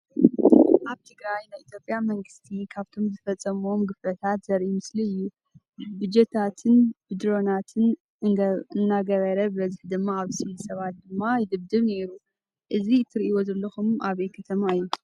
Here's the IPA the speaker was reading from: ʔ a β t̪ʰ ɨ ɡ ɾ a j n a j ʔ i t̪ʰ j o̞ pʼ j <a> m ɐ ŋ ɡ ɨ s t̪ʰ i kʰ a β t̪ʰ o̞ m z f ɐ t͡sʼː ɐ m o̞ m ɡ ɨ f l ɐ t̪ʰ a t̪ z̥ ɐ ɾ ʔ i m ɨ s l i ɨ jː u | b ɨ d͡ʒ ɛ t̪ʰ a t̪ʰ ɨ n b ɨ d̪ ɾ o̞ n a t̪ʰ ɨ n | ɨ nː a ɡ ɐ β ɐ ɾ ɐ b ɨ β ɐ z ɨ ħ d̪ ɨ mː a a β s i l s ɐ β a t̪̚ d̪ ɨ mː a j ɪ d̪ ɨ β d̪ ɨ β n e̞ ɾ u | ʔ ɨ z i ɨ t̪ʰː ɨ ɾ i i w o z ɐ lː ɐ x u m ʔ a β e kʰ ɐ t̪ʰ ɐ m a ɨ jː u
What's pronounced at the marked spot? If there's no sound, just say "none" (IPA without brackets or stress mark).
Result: a